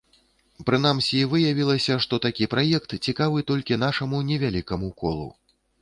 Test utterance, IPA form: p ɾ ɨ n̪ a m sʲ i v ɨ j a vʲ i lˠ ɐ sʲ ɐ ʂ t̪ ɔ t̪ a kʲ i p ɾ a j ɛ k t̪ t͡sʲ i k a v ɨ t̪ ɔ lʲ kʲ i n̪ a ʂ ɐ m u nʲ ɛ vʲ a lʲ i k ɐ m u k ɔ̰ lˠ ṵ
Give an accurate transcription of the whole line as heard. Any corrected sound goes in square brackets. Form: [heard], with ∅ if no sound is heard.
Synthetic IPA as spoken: p ɾ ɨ n̪ a m sʲ i v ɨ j a vʲ i lˠ ɐ sʲ ɐ ʂ t̪ ɔ t̪ a kʲ i p ɾ a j ɛ k t̪ t͡sʲ i k a v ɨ t̪ ɔ lʲ kʲ i n̪ a ʂ ɐ m u nʲ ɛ vʲ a lʲ i k ɐ m u k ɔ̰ lˠ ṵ